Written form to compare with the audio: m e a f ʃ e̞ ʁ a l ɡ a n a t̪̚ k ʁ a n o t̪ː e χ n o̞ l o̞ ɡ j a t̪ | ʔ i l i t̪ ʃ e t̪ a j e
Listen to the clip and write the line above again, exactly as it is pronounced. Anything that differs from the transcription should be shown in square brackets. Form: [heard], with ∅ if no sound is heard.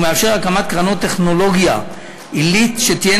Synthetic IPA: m e a f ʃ e̞ ʁ a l [k] a [m] a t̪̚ k ʁ a n o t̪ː e χ n o̞ l o̞ ɡ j a [∅] | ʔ i l i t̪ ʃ e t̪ [i] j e